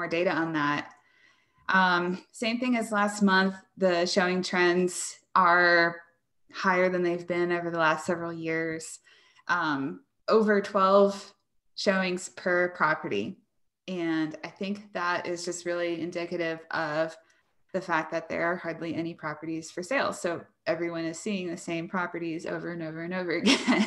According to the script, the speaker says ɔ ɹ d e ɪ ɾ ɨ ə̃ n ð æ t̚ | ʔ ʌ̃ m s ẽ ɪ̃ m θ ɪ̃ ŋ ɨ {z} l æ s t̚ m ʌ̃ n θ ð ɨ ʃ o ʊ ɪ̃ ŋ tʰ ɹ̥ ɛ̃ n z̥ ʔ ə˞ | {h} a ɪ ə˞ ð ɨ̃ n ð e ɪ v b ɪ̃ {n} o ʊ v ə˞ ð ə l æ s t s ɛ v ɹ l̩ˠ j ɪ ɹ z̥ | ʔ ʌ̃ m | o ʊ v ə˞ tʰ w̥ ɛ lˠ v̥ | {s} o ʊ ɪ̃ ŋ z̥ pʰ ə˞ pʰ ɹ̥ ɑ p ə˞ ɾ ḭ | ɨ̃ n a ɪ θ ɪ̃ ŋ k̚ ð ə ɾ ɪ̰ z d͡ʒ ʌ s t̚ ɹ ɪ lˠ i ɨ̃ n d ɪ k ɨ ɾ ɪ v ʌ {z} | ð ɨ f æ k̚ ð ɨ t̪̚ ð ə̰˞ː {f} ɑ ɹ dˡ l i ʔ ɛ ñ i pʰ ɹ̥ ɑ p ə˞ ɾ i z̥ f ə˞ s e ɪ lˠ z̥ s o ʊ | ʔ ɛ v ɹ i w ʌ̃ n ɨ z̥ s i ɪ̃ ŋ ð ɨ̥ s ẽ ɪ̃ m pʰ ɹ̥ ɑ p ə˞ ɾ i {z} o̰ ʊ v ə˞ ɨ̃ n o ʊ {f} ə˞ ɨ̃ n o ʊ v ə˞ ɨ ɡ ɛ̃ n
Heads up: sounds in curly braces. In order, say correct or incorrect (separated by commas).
correct, correct, correct, incorrect, incorrect, incorrect, correct, incorrect